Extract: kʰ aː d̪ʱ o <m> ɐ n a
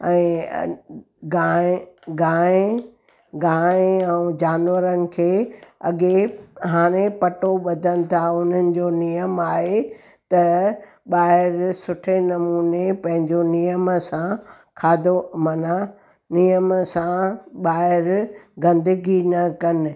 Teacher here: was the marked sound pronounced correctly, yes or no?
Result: yes